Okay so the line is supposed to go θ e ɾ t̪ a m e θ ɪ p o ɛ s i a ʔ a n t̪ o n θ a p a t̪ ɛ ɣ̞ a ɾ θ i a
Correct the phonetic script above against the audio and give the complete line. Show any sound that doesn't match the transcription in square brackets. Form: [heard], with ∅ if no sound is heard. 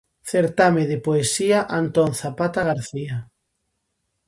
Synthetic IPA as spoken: θ e ɾ t̪ a m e [ð] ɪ p o [e] s i a ʔ a n t̪ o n θ a p a t̪ [a] ɣ̞ a ɾ θ i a

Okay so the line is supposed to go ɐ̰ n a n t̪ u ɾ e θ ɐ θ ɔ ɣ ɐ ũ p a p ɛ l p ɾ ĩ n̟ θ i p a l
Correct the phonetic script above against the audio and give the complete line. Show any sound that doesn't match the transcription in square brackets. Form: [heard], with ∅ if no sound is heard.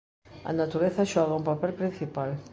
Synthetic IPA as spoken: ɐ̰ n a [∅] t̪ u ɾ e θ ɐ [ʃ] ɔ ɣ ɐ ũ p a p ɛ l p ɾ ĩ n̟ θ i p a l

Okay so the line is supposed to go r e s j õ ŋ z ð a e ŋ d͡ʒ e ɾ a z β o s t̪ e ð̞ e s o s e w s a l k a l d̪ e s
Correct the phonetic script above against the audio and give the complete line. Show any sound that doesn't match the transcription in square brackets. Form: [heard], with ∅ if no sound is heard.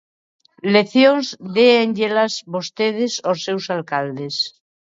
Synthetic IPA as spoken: [l] e [θ] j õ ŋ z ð [e] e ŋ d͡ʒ e [l] a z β o s t̪ e ð̞ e s o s e w s a l k a l d̪ e s

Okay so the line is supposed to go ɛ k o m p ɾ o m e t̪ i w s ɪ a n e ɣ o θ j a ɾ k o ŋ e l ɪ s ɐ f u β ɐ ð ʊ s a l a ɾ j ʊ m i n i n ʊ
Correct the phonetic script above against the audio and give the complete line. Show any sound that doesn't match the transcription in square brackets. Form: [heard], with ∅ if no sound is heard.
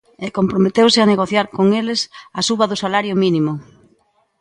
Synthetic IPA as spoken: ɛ k o m p ɾ o m e t̪ [e] w s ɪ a n e ɣ o θ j a ɾ k o ŋ e l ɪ s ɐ [s] u β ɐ ð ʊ s a l a ɾ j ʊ m i n i [m] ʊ

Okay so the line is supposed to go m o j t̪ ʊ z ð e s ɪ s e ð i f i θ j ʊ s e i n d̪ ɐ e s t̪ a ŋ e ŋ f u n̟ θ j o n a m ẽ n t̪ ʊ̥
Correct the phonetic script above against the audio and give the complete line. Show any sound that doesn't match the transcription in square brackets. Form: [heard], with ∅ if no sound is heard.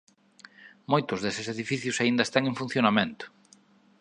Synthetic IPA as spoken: m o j t̪ ʊ z ð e s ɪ s e ð i f i θ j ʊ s [a] i n d̪ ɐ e s t̪ a ŋ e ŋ f u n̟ θ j o n a m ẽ n t̪ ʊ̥

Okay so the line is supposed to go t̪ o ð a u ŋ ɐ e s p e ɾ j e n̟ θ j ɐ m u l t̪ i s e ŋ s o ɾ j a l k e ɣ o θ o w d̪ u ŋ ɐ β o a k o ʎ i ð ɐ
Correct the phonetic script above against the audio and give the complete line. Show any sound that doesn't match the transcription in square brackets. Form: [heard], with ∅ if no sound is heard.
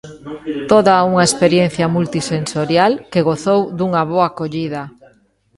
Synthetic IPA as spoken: t̪ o ð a u ŋ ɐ e s p e ɾ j e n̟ θ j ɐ m u l t̪ i s e [n] s o ɾ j a l k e ɣ o θ o w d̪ u ŋ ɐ β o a k o ʎ i ð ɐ

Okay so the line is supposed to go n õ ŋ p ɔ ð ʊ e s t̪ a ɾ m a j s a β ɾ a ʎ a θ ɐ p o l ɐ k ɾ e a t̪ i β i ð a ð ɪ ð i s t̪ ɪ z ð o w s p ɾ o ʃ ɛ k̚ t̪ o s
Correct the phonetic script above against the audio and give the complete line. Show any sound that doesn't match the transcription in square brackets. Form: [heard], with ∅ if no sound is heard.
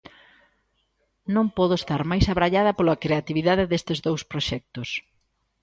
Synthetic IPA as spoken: n õ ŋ p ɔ ð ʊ e s t̪ a ɾ m a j s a β ɾ a ʎ a [ð] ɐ p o l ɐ k ɾ e a t̪ i β i ð a ð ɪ ð [e] s t̪ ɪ z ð o w s p ɾ o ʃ ɛ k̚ t̪ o s

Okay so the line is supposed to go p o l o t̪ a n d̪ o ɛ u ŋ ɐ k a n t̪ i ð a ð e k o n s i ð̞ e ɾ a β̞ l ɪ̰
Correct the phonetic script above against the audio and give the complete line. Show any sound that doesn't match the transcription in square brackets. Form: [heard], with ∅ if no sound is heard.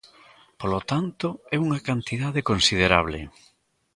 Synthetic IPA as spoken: p o l o t̪ a n [t̪] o ɛ u ŋ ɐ k a n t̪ i ð a ð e k o n s i ð̞ e ɾ a β̞ l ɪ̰

